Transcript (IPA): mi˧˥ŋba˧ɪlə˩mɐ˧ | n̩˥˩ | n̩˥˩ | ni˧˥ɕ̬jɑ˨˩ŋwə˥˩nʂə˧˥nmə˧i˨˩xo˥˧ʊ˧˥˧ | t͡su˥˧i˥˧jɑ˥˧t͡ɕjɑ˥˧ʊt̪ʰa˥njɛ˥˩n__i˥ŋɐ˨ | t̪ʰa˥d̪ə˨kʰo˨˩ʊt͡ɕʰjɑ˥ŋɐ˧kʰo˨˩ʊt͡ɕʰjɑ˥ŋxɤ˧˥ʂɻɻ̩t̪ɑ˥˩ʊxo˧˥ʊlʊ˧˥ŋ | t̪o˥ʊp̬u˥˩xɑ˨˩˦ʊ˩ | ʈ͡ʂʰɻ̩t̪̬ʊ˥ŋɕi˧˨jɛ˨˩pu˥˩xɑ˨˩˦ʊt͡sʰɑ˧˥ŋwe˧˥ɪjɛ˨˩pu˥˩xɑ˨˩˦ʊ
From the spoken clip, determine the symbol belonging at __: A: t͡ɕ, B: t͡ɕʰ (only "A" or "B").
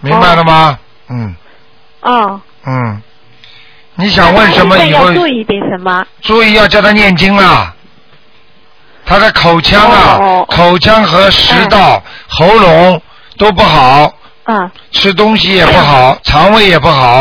A